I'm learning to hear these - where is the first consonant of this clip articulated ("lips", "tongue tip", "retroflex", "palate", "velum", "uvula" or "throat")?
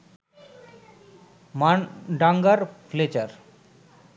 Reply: lips